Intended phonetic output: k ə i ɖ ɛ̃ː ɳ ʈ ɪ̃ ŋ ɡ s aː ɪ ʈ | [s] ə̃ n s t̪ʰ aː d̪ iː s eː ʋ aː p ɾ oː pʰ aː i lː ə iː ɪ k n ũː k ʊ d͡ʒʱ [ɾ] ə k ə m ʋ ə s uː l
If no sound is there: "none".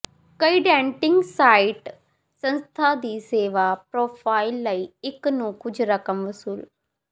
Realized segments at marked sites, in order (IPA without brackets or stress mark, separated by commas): s, ɾ